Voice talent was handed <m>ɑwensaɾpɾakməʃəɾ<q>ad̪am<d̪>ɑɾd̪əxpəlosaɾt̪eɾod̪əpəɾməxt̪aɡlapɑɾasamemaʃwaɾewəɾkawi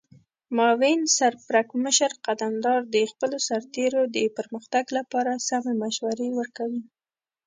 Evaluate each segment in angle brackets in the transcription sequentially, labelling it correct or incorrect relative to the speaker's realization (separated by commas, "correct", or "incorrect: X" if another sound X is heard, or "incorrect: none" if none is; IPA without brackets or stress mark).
correct, correct, correct